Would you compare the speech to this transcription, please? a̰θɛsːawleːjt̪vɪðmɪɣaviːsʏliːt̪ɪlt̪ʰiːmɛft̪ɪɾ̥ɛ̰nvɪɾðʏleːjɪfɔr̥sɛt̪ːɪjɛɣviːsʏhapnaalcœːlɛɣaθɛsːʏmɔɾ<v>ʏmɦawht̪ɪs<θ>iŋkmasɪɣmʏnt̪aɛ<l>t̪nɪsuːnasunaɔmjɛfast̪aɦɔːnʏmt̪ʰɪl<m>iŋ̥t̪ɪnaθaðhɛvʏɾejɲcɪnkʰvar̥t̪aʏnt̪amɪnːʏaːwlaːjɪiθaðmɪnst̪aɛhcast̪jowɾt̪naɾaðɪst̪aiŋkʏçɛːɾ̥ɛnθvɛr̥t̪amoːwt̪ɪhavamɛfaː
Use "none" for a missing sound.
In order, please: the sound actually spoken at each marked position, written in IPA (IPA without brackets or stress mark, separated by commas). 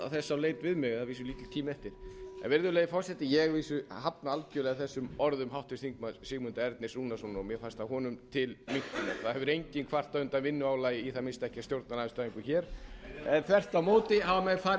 ð, θ, ɾ, m